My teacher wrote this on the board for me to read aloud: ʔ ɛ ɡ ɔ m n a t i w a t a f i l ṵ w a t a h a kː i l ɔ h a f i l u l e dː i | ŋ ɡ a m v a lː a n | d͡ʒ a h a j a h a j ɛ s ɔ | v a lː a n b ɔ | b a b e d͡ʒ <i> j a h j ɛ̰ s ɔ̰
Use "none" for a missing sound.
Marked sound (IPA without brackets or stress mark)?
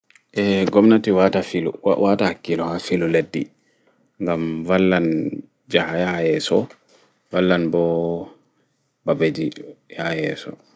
i